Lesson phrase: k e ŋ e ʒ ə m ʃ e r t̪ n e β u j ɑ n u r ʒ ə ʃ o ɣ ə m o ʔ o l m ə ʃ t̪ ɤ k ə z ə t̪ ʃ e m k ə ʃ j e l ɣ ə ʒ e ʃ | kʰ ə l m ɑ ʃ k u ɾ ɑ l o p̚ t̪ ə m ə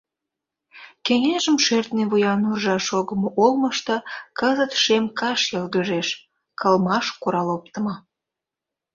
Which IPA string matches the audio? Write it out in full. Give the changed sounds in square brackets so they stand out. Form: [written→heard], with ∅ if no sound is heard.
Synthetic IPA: k e ŋ e ʒ ə m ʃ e r t̪ n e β u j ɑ n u r ʒ [ə→ɑ] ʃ o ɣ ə m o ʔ o l m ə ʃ t̪ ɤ k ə z ə t̪ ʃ e m k [ə→ɑ] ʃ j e l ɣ ə ʒ e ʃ | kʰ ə l m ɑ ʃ k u ɾ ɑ l o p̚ t̪ ə m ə